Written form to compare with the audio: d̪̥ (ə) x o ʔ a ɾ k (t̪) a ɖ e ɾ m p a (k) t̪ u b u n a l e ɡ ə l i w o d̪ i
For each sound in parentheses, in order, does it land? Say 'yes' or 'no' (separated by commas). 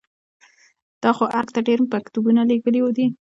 no, yes, yes